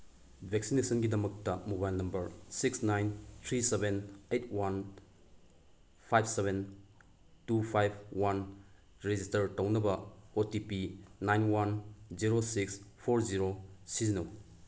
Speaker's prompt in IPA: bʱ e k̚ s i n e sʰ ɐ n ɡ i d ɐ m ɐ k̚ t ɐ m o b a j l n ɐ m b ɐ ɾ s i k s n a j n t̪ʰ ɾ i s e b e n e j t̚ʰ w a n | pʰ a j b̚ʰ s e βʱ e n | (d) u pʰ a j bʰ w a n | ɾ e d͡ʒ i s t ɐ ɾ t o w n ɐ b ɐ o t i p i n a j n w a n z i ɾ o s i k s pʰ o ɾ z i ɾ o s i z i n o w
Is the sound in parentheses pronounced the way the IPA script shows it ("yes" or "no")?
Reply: no